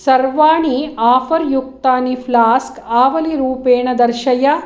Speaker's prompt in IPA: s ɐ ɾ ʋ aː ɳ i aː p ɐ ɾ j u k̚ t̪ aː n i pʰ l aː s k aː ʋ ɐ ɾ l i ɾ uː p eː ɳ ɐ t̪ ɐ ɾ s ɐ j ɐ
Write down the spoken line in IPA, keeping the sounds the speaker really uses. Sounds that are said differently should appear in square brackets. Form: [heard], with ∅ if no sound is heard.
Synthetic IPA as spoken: s ɐ ɾ ʋ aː ɳ i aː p ɐ ɾ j u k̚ t̪ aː n i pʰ l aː s k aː ʋ ɐ [∅] l i ɾ uː p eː ɳ ɐ [d̪] ɐ ɾ [ʃ] ɐ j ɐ

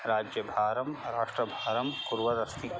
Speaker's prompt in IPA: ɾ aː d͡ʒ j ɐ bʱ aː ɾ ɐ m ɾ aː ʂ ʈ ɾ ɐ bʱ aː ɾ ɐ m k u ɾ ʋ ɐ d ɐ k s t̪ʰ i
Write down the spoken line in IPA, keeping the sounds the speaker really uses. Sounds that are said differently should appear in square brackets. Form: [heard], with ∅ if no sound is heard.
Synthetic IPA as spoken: ɾ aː d͡ʒ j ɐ bʱ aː ɾ ɐ m ɾ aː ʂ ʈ ɾ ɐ bʱ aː ɾ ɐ m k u ɾ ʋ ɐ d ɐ [∅] s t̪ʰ i

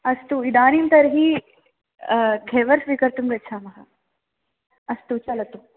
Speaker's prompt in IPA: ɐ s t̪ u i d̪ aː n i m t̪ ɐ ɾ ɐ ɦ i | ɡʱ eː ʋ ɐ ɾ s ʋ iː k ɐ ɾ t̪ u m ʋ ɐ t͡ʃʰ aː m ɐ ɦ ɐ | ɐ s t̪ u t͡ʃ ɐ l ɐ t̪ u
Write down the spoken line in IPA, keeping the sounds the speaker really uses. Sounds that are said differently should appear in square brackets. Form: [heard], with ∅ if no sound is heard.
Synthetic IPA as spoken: ɐ s t̪ u i d̪ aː n i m t̪ ɐ ɾ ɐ ɦ i | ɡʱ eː ʋ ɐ ɾ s ʋ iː k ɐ ɾ t̪ u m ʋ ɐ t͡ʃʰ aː m ɐ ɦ ɐ | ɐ s t̪ u t͡ʃ ɐ l ɐ t̪ u

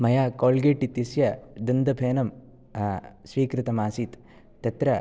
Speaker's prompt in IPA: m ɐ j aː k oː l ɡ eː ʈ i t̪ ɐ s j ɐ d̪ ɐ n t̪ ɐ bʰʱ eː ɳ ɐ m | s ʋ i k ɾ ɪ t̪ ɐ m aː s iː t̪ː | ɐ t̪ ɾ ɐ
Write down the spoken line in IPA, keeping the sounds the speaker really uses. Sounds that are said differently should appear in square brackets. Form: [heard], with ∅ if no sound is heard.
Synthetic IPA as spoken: m ɐ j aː k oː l ɡ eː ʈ i t̪ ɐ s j ɐ d̪ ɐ n [d̪] ɐ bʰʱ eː [n] ɐ m | s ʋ [iː] k ɾ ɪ t̪ ɐ m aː s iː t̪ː | ɐ t̪ ɾ ɐ

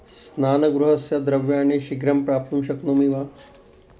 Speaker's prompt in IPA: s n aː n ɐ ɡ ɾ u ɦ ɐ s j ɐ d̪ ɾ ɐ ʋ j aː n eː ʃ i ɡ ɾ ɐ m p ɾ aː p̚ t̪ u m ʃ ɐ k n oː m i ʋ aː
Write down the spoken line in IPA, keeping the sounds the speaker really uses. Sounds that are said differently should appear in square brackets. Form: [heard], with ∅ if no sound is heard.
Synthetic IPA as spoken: s n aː n ɐ ɡ ɾ u ɦ ɐ s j ɐ d̪ ɾ ɐ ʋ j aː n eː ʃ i ɡ ɾ ɐ m p ɾ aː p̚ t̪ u m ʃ ɐ k n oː m i ʋ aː

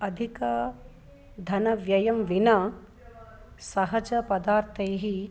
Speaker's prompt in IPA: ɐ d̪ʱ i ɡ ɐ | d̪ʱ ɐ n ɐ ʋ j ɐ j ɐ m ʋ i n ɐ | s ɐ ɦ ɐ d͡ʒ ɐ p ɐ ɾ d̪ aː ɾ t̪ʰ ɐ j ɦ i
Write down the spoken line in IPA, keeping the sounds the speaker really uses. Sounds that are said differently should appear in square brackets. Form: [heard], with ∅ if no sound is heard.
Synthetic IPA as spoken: ɐ d̪ʱ i [k] ɐ | d̪ʱ ɐ n ɐ ʋ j ɐ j ɐ m ʋ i n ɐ | s ɐ ɦ ɐ d͡ʒ ɐ p ɐ [∅] d̪ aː ɾ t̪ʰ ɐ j ɦ i

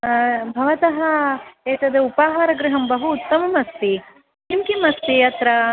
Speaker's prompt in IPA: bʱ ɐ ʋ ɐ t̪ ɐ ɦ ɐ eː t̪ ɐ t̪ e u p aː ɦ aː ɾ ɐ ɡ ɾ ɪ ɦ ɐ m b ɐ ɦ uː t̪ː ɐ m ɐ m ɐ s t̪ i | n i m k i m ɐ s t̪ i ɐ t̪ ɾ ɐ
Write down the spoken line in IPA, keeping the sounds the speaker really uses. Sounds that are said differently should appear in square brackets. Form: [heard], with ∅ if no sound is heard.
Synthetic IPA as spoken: bʱ ɐ ʋ ɐ t̪ ɐ ɦ ɐ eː t̪ ɐ [d̪] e u p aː ɦ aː ɾ ɐ ɡ ɾ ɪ ɦ ɐ m b ɐ ɦ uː t̪ː ɐ m ɐ m ɐ s t̪ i | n i m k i m ɐ s t̪ i ɐ t̪ ɾ ɐ

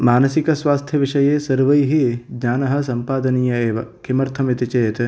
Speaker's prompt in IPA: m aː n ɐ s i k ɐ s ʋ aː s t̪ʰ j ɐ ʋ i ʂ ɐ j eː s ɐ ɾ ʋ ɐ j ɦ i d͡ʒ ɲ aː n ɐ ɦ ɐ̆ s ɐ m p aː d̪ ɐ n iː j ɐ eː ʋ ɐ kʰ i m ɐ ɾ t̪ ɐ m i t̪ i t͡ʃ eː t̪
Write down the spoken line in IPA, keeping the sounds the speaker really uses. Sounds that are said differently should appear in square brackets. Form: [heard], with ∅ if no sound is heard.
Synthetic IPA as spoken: m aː n ɐ s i k ɐ s ʋ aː s t̪ʰ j ɐ ʋ i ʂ ɐ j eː s ɐ ɾ ʋ ɐ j ɦ i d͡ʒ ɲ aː n ɐ ɦ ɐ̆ s ɐ m p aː d̪ ɐ n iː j ɐ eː ʋ ɐ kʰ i m ɐ ɾ [t̪ʰ] ɐ m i t̪ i t͡ʃ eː t̪

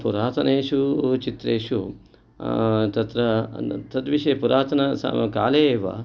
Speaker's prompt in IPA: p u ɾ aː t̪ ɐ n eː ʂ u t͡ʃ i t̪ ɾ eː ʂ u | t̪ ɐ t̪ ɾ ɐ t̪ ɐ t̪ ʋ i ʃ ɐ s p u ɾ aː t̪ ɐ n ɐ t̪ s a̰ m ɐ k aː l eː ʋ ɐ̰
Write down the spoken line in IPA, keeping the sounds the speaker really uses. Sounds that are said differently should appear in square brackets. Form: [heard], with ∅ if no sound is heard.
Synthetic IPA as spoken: p u ɾ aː t̪ ɐ n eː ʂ u t͡ʃ i t̪ ɾ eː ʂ u | t̪ ɐ t̪ ɾ ɐ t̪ ɐ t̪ ʋ i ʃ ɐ [∅] p u ɾ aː t̪ ɐ n ɐ [∅] s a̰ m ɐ k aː l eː ʋ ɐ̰

